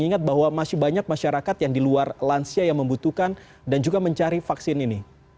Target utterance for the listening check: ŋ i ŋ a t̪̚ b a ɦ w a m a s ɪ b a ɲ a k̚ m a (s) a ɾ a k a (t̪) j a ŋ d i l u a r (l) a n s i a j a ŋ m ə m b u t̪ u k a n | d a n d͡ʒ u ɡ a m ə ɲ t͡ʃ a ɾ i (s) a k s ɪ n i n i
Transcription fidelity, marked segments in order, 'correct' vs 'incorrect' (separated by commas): incorrect, correct, correct, incorrect